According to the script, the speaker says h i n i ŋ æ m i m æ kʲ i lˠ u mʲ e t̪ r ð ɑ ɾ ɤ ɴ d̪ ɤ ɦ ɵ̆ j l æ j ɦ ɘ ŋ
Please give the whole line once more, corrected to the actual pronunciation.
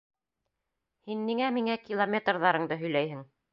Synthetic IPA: h i nː i ŋ æ m i ŋ æ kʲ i lˠ o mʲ e t̪ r ð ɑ ɾ ɤ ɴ d̪ ɤ ɦ ɵ̆ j l æ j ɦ ɘ ŋ